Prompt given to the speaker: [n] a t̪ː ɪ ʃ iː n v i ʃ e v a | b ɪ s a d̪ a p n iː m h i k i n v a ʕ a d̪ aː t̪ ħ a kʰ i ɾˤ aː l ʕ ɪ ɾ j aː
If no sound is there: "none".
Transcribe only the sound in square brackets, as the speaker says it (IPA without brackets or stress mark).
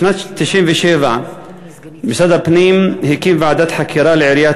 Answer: n